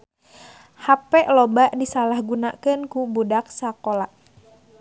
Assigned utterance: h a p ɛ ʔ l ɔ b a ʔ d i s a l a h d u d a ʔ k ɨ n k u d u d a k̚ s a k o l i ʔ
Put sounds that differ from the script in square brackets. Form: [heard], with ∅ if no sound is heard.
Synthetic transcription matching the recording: h a p ɛ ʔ l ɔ b a ʔ d i s a l a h [ɡ] u [n] a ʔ k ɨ n k u [b] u d a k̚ s a k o l [a] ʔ